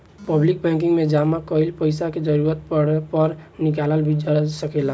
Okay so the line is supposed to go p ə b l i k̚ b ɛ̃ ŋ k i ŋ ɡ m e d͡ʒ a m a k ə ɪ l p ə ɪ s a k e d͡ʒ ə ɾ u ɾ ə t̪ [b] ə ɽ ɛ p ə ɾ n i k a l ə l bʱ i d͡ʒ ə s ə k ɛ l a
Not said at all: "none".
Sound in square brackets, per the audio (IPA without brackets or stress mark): p